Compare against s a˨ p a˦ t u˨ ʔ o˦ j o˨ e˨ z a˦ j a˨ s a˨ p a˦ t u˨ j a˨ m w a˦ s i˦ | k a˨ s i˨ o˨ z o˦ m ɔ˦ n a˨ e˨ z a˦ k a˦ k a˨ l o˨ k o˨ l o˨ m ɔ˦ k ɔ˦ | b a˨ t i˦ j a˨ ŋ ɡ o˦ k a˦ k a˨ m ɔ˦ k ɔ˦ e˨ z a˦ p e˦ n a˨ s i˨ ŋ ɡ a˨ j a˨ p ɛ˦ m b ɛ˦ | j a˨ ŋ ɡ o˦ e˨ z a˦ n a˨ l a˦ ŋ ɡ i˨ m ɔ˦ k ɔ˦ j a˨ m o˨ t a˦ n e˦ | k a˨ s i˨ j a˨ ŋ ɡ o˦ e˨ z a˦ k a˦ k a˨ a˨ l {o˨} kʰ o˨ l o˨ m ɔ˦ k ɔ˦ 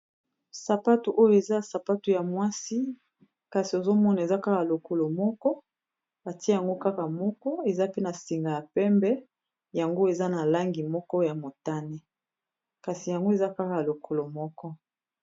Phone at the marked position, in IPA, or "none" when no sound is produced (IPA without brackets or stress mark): o˨